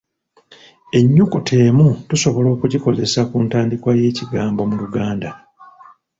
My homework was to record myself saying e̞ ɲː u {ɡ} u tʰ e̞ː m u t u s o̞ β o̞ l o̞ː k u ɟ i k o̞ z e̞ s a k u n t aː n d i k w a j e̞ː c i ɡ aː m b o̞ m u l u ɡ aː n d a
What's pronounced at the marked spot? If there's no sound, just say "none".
k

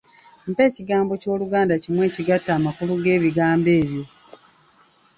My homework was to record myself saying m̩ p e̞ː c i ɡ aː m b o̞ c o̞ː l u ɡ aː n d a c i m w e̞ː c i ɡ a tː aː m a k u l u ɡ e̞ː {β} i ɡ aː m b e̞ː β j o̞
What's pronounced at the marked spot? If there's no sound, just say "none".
β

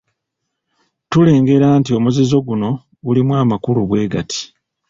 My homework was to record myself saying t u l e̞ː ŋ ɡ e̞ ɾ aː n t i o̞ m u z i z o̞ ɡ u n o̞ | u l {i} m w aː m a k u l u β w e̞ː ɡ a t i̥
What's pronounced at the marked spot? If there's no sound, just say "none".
i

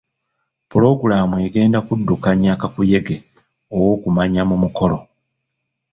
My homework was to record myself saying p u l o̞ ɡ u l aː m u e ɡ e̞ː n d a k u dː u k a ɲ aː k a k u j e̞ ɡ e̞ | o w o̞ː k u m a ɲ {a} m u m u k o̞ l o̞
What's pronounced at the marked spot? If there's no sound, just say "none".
a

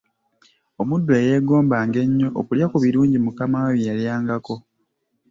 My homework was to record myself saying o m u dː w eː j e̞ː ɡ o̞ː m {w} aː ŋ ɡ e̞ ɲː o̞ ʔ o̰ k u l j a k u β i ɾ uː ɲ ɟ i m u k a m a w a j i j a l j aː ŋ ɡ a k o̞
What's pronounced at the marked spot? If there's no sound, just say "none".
b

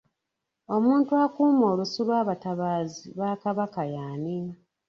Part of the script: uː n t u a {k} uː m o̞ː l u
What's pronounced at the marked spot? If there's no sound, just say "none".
k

